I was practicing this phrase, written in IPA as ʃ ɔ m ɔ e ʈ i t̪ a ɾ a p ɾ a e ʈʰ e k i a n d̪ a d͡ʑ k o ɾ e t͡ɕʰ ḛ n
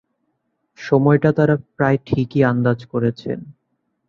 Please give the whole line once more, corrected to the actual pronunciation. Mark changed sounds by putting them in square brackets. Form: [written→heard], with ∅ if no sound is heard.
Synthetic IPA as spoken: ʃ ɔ m ɔ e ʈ [i→a] t̪ a ɾ a p ɾ a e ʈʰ [e→i] k i a n d̪ a d͡ʑ k o ɾ e t͡ɕʰ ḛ n